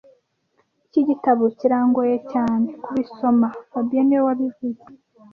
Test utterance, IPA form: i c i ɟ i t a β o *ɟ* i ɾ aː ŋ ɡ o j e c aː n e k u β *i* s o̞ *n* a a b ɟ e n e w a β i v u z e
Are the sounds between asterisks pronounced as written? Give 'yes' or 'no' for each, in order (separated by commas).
no, yes, no